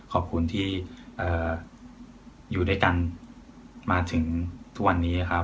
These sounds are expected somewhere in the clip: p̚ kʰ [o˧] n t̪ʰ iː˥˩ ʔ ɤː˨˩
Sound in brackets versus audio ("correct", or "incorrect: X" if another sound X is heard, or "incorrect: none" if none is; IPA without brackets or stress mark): incorrect: u˧